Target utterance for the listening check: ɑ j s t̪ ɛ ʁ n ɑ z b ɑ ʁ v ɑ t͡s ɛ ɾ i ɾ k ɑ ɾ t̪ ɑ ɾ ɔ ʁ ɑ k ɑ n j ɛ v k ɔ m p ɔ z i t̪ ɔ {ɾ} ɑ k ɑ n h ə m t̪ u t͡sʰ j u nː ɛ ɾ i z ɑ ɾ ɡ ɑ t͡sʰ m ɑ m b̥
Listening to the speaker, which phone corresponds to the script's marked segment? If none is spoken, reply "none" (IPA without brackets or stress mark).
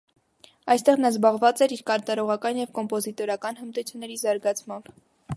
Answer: ɾ